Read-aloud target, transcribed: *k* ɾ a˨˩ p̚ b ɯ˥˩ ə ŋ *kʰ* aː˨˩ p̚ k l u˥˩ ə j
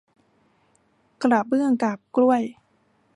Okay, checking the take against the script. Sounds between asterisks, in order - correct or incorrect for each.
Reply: correct, incorrect

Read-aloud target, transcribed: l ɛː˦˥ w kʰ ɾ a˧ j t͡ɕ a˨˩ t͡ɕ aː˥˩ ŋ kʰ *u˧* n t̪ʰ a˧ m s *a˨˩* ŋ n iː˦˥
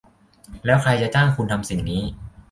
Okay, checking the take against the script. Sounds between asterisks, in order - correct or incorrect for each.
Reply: correct, incorrect

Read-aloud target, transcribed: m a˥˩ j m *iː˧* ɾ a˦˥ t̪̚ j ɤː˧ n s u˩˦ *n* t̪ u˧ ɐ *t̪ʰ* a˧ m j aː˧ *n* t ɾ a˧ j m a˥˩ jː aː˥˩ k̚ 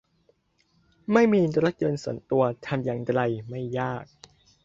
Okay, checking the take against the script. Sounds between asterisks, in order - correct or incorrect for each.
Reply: correct, correct, correct, incorrect

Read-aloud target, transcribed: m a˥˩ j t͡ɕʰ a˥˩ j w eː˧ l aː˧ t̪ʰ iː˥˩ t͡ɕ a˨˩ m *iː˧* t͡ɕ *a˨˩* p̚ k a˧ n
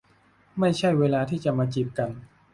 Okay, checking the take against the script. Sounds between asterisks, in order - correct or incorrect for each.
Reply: incorrect, incorrect

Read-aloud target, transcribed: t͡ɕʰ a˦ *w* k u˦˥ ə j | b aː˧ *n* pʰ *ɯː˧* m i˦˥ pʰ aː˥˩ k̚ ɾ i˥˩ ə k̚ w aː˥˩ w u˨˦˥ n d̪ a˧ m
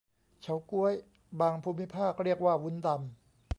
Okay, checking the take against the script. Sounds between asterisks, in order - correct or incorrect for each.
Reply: correct, incorrect, incorrect

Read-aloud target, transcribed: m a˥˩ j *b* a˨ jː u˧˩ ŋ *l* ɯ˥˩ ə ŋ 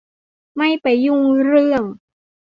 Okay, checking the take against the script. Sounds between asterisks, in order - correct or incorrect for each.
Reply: incorrect, incorrect

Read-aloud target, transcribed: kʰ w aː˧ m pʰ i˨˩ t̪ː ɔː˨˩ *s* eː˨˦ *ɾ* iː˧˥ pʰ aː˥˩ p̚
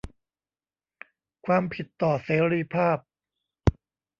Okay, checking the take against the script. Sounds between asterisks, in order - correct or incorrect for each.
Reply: correct, correct

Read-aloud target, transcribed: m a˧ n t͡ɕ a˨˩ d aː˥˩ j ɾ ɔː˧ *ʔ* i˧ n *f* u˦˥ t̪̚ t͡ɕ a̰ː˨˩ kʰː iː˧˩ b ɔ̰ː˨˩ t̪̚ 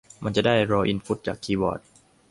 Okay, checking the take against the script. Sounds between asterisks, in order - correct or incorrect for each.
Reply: correct, correct

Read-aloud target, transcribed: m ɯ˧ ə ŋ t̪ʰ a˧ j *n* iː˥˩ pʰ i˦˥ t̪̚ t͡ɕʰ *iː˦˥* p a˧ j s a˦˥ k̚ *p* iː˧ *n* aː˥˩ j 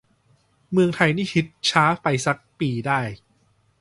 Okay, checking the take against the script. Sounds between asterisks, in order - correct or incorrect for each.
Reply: correct, incorrect, correct, incorrect

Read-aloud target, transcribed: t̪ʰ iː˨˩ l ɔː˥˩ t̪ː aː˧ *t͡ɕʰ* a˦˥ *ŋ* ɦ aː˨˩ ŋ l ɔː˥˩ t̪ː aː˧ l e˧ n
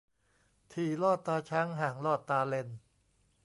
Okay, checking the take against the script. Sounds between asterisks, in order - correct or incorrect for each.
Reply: correct, correct

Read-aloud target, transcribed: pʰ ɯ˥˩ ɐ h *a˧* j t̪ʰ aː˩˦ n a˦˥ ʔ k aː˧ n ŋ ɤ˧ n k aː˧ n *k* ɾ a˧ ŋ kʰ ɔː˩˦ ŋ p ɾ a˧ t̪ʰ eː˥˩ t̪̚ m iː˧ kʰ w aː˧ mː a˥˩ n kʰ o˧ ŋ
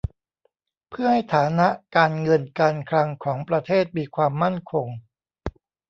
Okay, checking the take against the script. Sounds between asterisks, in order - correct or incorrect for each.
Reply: incorrect, incorrect

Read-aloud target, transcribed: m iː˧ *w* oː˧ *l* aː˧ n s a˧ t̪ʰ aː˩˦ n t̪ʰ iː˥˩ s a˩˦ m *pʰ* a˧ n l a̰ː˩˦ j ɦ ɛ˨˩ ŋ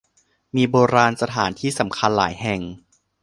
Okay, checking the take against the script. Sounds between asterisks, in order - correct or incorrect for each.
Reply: incorrect, incorrect, incorrect

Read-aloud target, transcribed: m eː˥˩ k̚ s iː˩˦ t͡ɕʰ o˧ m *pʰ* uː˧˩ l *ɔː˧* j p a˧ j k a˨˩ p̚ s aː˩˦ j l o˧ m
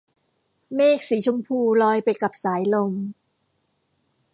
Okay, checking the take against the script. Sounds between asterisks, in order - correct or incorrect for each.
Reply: correct, correct

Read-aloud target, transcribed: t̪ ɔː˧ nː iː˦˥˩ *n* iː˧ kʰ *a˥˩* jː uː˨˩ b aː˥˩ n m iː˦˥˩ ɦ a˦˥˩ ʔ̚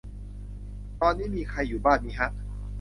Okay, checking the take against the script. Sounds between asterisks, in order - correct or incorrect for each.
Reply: incorrect, incorrect

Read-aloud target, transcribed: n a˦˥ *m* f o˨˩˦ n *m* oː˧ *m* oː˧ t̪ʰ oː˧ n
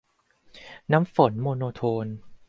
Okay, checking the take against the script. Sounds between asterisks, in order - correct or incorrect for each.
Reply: correct, correct, incorrect

